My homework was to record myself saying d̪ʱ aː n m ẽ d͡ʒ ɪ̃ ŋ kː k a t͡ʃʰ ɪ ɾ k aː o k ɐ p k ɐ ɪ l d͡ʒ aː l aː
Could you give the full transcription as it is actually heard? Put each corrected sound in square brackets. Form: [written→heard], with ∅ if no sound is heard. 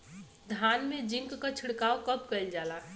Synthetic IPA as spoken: d̪ʱ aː n m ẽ d͡ʒ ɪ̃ ŋ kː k a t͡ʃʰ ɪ [ɾ→ɽ] k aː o k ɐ p k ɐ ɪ l d͡ʒ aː l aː